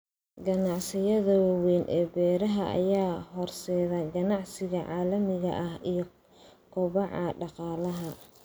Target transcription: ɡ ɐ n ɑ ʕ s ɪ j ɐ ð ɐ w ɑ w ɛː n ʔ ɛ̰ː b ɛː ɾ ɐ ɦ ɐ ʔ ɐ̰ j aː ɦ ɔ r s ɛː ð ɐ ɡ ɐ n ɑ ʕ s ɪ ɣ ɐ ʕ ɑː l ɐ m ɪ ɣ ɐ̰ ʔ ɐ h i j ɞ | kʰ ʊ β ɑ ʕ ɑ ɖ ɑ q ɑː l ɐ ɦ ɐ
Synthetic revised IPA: ɡ ɐ n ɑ ʕ s ɪ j ɐ ð ɐ w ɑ w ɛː n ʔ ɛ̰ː b ɛː ɾ ɐ ɦ ɐ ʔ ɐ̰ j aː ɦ ɔ r s ɛː ð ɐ ɡ ɐ n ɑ ʕ s ɪ ɣ ɐ ʕ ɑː l ɐ m ɪ ɣ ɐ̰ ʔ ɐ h i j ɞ | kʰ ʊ β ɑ ʕ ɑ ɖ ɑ q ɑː l ɐ ɦ ɐ